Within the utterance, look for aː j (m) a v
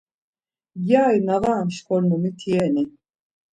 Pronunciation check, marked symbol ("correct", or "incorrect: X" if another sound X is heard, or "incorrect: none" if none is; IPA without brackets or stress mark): incorrect: n